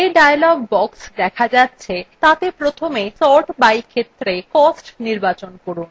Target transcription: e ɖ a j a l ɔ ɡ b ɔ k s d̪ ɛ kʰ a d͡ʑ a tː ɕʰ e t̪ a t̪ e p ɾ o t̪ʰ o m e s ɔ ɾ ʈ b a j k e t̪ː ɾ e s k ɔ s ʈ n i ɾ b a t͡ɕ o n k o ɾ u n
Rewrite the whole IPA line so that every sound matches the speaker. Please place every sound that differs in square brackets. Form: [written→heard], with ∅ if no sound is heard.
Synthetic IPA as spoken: e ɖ a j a l ɔ ɡ b ɔ k s d̪ ɛ kʰ a d͡ʑ a tː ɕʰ e t̪ a t̪ e p ɾ o t̪ʰ o m e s ɔ ɾ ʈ b a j [k→kʰ] e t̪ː ɾ e [s→∅] k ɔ s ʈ n i ɾ b a t͡ɕ o n k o ɾ u n